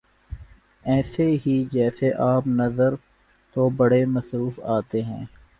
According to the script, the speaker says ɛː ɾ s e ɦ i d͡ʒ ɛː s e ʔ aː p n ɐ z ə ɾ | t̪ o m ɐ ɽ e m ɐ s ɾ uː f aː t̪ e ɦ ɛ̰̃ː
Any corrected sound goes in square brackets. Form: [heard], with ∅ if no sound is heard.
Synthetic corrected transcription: ɛː [∅] s e ɦ i d͡ʒ ɛː s e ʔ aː p n ɐ z ə ɾ | t̪ o [b] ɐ ɽ e m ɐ s ɾ uː f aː t̪ e ɦ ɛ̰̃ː

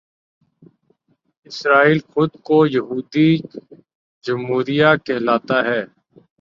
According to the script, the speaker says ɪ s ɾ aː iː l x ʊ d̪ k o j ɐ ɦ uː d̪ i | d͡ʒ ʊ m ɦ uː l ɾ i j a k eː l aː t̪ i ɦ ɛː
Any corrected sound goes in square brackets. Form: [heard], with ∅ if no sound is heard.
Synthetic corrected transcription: ɪ s ɾ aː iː l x ʊ d̪ k o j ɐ ɦ uː d̪ i | d͡ʒ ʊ m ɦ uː [∅] ɾ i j a k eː l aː t̪ [a] ɦ ɛː

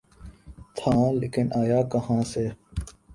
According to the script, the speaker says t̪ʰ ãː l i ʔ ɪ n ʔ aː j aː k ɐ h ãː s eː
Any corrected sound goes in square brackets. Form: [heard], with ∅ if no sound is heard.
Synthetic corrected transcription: t̪ʰ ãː l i [k] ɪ n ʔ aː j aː k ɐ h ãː s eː

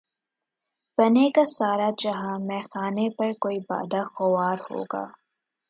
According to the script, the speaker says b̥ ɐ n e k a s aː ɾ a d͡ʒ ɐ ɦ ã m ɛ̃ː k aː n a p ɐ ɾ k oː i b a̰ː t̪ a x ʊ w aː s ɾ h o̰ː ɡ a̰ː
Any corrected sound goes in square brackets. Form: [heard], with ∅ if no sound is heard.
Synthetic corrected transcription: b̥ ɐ n e k a s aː ɾ a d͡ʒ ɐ ɦ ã m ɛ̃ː [x] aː n [e] p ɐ ɾ k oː i b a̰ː [d̪] a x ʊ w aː [∅] ɾ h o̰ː ɡ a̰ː

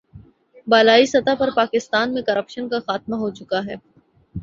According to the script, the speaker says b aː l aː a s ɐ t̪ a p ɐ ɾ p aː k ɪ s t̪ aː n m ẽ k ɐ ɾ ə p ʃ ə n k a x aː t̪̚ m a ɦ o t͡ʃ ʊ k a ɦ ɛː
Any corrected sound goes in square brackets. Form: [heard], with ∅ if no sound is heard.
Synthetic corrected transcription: b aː l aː [i] s ɐ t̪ a p ɐ ɾ p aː k ɪ s t̪ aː n m ẽ k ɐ ɾ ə p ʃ ə n k a x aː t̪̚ m a ɦ o t͡ʃ ʊ k a ɦ ɛː

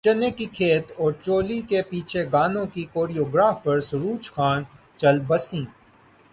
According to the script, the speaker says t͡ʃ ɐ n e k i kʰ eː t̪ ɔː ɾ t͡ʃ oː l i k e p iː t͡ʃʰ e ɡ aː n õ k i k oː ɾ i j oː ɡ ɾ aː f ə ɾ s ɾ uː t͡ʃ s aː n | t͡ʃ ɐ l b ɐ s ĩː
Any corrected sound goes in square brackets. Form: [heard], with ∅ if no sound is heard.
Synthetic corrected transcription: t͡ʃ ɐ n e k i kʰ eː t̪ ɔː ɾ t͡ʃ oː l i k e p iː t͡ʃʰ e ɡ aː n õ k i k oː ɾ i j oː ɡ ɾ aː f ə ɾ s ɾ uː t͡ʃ [x] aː n | t͡ʃ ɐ l b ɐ s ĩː

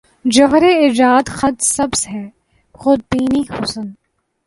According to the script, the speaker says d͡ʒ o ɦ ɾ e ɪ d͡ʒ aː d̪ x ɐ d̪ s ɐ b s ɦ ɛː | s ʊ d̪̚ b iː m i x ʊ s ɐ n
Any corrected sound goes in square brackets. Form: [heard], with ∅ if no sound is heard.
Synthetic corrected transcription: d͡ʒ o ɦ ɾ e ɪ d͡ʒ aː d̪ x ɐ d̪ s ɐ b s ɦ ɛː | [x] ʊ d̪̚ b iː [n] i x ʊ s [ə] n

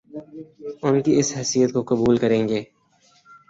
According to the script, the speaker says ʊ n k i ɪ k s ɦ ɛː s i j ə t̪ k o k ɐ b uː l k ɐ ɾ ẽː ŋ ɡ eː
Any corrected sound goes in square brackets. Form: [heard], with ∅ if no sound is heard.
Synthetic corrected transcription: ʊ n k i ɪ [∅] s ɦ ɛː s i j ə t̪ k o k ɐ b uː l k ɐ ɾ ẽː ŋ ɡ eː

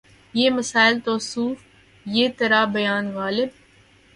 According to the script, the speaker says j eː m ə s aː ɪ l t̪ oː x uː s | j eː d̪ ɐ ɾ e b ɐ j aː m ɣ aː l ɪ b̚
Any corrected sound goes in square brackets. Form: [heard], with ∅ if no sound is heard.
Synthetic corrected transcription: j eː m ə s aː ɪ l t̪ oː [s] uː [f] | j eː [t̪] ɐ ɾ [a] b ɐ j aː [n] ɣ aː l ɪ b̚

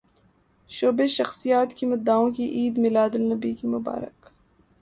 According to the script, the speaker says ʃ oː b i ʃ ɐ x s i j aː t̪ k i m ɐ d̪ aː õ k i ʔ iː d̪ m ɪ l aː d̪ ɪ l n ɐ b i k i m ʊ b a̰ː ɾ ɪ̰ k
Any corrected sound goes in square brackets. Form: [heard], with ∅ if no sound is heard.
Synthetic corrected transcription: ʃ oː b [e] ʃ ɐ x s i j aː t̪ k i m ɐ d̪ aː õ k i ʔ iː d̪ m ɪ l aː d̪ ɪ l n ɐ b i k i m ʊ b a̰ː ɾ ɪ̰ k

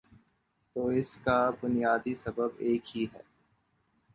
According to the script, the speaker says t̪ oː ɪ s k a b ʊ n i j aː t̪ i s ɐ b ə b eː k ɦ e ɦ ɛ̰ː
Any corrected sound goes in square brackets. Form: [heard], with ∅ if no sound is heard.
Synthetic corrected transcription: t̪ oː ɪ s k a b ʊ n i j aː [d̪] i s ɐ b ə b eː k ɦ [i] ɦ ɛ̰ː

